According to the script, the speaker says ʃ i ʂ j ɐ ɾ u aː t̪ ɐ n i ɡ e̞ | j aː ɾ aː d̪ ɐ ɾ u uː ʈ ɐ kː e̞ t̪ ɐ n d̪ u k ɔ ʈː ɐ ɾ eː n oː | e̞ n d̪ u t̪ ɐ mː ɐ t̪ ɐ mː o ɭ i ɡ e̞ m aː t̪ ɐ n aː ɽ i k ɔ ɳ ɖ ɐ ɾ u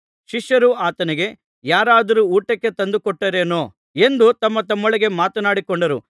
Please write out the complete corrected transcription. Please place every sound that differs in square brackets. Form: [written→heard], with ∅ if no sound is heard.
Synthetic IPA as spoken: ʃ i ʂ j ɐ ɾ u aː t̪ ɐ n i ɡ e̞ | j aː ɾ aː d̪ ɐ ɾ u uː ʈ ɐ kː e̞ t̪ ɐ n d̪ u k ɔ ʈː ɐ ɾ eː n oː | e̞ n d̪ u t̪ ɐ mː ɐ t̪ ɐ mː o ɭ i ɡ e̞ m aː t̪ ɐ n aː ɽ i k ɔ ɳ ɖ ɐ ɾ u

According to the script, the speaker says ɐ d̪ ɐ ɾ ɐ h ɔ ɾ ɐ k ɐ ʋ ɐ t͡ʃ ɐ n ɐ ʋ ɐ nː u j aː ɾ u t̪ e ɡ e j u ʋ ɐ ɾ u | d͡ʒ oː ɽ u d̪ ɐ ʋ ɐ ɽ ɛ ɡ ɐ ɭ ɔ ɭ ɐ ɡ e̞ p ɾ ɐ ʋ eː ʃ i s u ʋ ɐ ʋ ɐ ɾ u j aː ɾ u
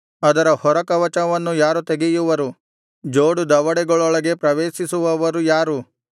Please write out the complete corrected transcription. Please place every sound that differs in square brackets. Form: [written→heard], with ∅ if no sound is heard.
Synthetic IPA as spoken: ɐ d̪ ɐ ɾ ɐ h ɔ ɾ ɐ k ɐ ʋ ɐ t͡ʃ ɐ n ɐ ʋ ɐ nː u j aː ɾ u t̪ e ɡ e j u ʋ ɐ ɾ u | d͡ʒ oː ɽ u d̪ ɐ ʋ ɐ ɽ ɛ ɡ ɐ ɭ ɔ ɭ ɐ ɡ e̞ p ɾ ɐ ʋ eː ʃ i s u ʋ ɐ ʋ ɐ ɾ u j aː ɾ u

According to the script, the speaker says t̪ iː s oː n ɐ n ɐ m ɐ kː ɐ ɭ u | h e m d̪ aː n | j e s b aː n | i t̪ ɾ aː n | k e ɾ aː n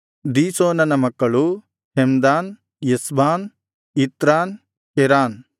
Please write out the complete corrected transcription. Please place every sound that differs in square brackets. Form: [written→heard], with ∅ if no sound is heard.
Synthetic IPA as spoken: [t̪→d̪] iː s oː n ɐ n ɐ m ɐ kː ɐ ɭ u | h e m d̪ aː n | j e s b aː n | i t̪ ɾ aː n | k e ɾ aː n

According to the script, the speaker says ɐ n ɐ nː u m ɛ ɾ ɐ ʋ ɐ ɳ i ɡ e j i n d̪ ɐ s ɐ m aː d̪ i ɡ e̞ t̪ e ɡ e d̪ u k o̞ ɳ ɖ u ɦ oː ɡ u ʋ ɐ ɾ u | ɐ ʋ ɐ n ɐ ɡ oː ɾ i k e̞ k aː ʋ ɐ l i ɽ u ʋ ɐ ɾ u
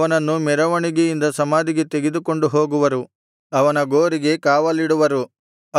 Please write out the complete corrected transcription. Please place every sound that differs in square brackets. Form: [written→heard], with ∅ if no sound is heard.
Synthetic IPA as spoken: ɐ n ɐ nː u m ɛ ɾ ɐ ʋ ɐ ɳ i ɡ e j i n d̪ ɐ s ɐ m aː d̪ i ɡ e̞ t̪ e ɡ e d̪ u k o̞ ɳ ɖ u ɦ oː ɡ u ʋ ɐ ɾ u | ɐ ʋ ɐ n ɐ ɡ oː ɾ i [k→ɡ] e̞ k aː ʋ ɐ l i ɽ u ʋ ɐ ɾ u

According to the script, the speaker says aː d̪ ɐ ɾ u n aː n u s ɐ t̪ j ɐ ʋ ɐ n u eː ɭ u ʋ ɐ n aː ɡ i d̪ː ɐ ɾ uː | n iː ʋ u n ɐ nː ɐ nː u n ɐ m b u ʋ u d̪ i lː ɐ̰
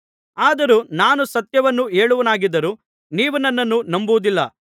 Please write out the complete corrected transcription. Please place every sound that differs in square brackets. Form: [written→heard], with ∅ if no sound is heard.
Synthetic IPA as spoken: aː d̪ ɐ ɾ u n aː n u s ɐ t̪ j ɐ ʋ ɐ [n→nː] u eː ɭ u ʋ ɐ n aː ɡ i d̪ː ɐ ɾ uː | n iː ʋ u n ɐ nː ɐ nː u n ɐ m b u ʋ u d̪ i lː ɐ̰

